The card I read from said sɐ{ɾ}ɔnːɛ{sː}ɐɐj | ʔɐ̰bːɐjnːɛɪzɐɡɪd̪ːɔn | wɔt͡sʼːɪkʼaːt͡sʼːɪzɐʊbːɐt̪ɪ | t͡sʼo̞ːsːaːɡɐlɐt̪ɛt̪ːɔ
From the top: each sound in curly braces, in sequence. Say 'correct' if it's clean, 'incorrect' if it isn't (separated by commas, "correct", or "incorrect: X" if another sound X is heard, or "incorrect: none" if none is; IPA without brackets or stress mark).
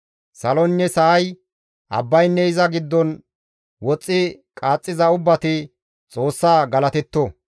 incorrect: l, incorrect: s